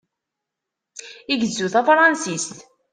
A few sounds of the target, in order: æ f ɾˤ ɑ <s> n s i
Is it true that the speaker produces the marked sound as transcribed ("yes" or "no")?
no